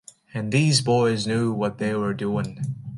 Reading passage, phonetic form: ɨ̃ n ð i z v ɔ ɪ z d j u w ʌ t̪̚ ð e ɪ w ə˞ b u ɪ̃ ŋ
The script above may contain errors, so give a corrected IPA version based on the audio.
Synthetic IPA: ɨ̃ n ð i z b ɔ ɪ z n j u w ʌ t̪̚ ð e ɪ w ə˞ d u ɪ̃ ŋ